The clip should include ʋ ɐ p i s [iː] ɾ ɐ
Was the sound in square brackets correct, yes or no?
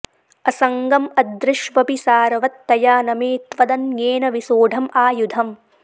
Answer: no